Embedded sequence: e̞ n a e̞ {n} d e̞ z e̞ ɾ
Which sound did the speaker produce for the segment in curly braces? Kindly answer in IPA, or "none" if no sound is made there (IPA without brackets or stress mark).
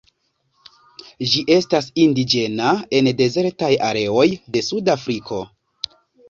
n